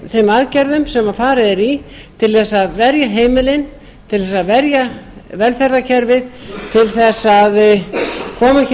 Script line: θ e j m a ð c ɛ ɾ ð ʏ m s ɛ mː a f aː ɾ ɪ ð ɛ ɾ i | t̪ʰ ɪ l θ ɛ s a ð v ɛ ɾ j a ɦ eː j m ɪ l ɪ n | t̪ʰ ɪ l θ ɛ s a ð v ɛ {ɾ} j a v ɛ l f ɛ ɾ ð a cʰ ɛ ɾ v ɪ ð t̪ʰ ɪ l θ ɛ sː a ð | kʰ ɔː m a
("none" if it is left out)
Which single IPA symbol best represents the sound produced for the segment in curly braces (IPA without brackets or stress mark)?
ɾ